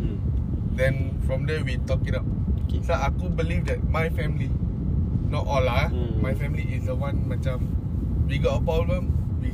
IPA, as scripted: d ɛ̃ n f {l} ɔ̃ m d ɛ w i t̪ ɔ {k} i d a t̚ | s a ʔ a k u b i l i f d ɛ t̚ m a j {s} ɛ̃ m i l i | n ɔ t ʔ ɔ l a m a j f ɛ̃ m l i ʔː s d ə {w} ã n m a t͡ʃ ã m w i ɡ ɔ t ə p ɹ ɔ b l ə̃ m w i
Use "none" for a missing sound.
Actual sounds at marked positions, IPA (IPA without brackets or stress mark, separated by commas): ɹ, k, f, w